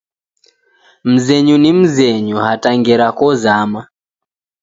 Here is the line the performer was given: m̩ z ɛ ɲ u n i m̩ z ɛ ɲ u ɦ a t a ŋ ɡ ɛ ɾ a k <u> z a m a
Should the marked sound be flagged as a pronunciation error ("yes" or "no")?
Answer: yes